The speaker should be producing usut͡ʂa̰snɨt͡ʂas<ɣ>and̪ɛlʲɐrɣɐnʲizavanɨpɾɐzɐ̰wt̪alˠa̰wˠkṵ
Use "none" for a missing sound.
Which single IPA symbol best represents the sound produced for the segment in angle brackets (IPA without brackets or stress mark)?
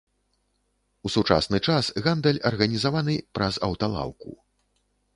ɣ